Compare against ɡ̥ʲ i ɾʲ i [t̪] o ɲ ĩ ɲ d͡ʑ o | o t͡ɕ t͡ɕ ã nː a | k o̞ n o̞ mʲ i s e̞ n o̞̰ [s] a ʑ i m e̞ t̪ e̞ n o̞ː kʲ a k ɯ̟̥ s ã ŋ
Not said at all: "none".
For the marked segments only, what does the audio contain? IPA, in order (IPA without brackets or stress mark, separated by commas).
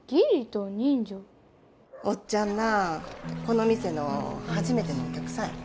t̪, h